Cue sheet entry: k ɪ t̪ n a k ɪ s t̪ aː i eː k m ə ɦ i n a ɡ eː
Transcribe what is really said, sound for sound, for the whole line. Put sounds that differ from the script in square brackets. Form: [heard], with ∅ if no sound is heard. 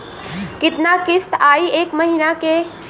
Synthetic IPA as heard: k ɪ t̪ n a k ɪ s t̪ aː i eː k m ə ɦ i n a [k] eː